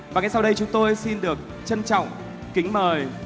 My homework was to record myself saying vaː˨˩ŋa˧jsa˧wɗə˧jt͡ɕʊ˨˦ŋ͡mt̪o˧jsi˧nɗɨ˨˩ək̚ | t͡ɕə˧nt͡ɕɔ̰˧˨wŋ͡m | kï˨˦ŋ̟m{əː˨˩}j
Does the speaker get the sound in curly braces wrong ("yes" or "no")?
no